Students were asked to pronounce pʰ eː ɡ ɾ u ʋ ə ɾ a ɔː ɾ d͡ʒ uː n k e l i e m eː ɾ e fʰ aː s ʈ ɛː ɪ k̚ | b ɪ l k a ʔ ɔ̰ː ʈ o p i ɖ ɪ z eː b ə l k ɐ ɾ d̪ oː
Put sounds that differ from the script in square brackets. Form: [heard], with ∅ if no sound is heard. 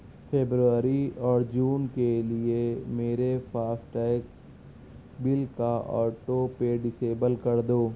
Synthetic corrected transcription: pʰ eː [b] ɾ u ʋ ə ɾ [i] ɔː ɾ d͡ʒ uː n k e l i e m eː ɾ e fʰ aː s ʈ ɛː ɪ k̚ | b ɪ l k a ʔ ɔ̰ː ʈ o p [e] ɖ ɪ [s] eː b ə l k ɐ ɾ d̪ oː